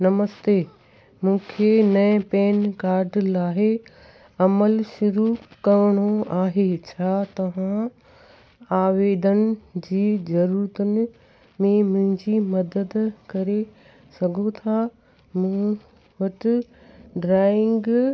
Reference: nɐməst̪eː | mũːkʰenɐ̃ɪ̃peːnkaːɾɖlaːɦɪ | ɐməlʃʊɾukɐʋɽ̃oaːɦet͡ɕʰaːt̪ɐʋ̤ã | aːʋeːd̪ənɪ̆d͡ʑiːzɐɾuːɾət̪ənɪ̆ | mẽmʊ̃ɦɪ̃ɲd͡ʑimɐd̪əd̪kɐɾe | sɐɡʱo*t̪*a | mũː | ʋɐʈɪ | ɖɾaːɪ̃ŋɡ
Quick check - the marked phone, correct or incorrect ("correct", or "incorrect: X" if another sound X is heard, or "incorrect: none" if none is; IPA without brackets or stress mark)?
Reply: incorrect: t̪ʰ